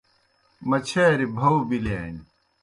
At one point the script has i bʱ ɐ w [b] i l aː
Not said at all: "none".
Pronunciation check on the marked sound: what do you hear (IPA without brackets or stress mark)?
b